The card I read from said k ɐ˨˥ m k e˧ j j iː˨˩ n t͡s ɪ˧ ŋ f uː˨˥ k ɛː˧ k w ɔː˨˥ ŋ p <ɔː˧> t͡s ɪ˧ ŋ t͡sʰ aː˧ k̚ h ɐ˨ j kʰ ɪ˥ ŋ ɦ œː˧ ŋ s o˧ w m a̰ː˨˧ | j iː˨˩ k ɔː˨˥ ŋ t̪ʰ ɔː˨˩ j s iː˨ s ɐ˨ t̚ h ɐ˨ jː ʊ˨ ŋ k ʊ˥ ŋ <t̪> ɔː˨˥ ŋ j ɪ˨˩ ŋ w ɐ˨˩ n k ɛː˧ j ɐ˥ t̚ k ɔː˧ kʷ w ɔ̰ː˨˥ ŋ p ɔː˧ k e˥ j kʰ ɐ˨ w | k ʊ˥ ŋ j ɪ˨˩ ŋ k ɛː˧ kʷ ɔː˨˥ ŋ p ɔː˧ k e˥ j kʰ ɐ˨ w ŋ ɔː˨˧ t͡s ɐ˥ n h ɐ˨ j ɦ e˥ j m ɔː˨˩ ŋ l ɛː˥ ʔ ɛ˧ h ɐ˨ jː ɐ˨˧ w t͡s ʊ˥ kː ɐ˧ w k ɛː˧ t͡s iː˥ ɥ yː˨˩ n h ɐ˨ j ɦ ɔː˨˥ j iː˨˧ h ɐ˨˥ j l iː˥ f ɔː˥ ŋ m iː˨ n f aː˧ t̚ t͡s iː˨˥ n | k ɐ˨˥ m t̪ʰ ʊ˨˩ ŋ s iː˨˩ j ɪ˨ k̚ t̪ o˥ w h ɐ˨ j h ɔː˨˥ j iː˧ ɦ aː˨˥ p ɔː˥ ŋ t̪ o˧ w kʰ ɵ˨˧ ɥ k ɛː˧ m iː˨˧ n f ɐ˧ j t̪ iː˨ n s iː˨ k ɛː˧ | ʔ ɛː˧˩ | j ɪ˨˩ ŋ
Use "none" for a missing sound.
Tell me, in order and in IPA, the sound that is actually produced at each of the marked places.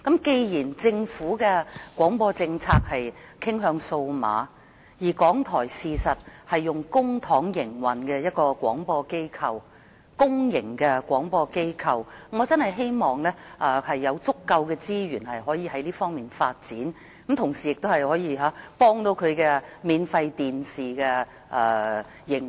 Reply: ɔː˧, t̪ʰ

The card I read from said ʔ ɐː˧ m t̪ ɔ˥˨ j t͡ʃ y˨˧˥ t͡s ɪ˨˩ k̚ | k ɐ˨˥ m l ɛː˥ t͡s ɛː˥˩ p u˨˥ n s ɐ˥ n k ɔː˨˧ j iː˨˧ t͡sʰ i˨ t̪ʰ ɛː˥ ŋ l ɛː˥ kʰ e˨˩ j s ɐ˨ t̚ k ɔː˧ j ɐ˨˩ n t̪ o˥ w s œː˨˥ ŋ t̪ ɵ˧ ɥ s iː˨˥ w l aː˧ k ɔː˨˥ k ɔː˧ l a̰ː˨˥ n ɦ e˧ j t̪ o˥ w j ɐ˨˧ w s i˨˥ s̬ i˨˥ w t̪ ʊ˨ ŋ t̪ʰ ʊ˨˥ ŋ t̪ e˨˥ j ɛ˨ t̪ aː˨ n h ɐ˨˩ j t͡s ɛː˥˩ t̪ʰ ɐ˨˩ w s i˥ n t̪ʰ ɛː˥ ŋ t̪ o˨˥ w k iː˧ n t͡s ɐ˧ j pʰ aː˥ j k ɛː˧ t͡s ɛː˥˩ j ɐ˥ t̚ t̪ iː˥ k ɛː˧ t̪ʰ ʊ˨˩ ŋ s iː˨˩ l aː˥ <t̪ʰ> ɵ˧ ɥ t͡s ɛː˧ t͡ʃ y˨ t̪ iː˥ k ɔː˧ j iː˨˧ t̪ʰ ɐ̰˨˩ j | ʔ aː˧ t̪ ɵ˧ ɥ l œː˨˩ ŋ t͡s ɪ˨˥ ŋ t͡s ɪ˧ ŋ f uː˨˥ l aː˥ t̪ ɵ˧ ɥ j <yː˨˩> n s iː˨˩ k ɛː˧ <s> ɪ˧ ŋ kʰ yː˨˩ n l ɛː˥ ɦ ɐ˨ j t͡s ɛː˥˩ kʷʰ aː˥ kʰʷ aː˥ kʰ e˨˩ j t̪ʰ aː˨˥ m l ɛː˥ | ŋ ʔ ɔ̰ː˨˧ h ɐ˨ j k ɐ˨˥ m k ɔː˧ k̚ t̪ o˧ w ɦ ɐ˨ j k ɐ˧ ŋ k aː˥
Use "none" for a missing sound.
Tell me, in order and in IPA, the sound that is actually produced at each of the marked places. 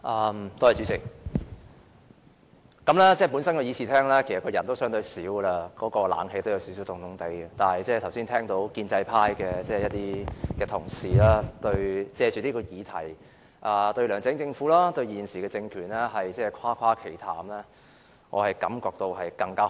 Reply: t̪, iː˨˩, t͡s

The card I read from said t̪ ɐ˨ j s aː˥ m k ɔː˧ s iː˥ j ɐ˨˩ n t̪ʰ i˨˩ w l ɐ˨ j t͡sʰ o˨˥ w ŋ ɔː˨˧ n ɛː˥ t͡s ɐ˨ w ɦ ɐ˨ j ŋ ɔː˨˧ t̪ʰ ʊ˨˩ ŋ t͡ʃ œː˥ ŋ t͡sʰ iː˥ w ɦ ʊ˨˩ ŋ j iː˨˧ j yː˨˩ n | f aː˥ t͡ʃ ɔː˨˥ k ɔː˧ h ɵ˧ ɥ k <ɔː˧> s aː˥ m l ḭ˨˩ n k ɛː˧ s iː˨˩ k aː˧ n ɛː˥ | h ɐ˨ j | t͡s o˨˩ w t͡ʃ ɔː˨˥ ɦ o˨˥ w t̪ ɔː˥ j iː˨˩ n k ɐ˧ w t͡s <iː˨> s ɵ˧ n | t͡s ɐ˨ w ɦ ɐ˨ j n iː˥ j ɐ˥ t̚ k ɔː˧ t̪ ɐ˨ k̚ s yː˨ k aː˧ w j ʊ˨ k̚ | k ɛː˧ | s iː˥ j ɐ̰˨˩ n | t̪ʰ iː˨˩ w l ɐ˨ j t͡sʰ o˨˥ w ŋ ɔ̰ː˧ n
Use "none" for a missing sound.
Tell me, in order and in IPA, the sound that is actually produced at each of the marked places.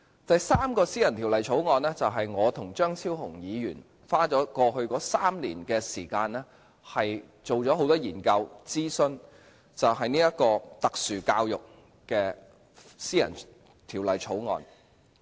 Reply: ɔː˨˥, iː˥

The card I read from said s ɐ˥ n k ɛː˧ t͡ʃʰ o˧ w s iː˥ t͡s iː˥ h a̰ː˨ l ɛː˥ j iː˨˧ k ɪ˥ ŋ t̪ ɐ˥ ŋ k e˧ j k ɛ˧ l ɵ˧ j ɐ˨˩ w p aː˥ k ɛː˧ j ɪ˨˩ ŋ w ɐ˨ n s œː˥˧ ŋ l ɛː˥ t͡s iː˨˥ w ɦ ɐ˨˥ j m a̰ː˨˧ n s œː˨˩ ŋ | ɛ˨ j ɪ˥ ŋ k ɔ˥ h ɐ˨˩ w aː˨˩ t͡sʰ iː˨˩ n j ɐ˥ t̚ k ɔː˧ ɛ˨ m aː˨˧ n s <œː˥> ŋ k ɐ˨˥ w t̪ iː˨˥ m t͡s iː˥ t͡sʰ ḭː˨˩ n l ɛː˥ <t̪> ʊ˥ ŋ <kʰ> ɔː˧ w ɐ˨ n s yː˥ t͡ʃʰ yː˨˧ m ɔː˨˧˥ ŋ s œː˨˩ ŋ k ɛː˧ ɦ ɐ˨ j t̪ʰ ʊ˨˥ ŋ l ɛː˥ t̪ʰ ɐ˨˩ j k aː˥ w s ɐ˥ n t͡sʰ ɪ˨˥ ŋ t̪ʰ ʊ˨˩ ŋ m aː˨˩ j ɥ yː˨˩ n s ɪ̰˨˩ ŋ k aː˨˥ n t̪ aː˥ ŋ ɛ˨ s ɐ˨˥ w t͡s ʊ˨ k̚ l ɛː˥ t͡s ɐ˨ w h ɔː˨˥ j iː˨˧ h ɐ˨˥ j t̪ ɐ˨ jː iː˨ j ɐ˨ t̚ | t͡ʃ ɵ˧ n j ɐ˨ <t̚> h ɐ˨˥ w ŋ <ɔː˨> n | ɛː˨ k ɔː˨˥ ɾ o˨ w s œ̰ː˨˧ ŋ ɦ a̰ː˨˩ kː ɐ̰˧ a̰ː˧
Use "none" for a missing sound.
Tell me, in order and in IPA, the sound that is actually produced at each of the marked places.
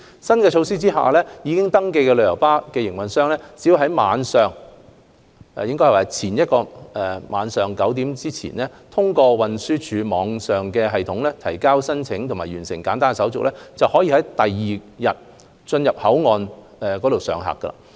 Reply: œː˨˩, t̪ʰ, k, p̚, ɔː˨

